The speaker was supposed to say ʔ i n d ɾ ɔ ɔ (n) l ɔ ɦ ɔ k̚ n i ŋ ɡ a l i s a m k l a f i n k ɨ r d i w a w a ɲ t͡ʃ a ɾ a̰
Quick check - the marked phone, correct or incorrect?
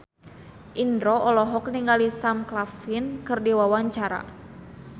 incorrect: none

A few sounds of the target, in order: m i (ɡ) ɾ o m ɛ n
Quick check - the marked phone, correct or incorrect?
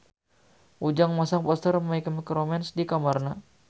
incorrect: k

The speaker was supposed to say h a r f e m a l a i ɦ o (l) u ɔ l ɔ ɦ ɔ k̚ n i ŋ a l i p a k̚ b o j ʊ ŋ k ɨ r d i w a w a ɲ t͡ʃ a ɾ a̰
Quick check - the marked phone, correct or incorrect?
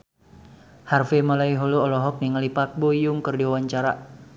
correct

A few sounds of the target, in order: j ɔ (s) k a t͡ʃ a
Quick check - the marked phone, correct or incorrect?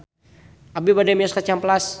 correct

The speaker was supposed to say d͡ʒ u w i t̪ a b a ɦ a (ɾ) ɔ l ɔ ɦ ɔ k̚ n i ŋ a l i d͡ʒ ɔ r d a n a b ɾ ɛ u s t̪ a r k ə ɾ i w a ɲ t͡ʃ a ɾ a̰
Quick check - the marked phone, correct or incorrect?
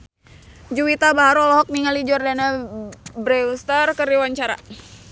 correct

